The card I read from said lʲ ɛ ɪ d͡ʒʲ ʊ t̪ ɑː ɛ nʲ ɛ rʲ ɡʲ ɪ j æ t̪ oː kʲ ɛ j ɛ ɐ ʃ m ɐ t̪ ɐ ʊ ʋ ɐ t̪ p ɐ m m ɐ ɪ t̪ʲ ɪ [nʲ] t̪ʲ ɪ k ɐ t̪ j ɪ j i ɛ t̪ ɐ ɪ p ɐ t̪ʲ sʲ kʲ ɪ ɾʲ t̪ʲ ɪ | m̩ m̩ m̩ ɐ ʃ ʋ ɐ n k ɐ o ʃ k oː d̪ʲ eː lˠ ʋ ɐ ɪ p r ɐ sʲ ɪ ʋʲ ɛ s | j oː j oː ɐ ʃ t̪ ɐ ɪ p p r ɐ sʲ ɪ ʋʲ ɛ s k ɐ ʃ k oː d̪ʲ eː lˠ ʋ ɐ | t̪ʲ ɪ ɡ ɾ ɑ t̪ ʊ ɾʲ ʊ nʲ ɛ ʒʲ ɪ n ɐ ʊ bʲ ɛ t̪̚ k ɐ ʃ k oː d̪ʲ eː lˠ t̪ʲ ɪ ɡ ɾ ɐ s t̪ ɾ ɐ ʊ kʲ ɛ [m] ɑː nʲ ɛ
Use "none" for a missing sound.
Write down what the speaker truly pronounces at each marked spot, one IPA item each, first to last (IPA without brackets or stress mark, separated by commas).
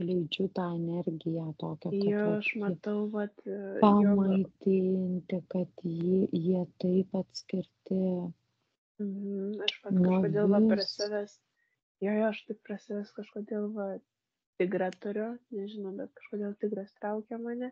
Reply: nʲ, m